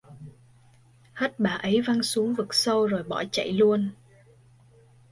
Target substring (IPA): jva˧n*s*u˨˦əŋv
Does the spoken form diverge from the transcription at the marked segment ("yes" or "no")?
no